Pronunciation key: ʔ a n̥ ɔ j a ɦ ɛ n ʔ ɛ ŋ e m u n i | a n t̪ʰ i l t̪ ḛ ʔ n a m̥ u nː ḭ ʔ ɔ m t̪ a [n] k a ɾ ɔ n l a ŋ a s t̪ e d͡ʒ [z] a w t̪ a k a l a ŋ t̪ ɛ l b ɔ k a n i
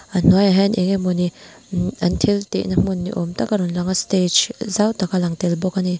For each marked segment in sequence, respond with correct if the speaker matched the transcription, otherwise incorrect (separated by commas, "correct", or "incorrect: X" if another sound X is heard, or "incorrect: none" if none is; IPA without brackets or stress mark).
incorrect: none, correct